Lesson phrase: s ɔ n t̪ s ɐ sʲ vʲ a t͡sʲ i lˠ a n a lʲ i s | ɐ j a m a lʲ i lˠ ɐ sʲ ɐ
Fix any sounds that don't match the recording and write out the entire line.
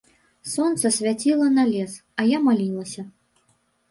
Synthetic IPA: s ɔ n t̪ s ɐ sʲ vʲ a t͡sʲ i lˠ ɐ n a lʲ ɛ s | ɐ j a m a lʲ i lˠ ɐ sʲ ɐ